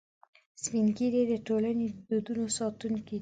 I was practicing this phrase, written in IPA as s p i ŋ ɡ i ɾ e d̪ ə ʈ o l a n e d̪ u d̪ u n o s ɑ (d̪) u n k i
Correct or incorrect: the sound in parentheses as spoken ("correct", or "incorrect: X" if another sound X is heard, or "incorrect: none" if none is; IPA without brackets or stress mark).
incorrect: t̪